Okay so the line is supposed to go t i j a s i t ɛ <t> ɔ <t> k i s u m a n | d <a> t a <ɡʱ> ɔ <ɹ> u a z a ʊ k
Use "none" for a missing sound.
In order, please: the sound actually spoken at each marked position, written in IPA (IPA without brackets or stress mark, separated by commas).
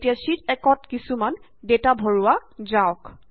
k, t, e, bʱ, ɹ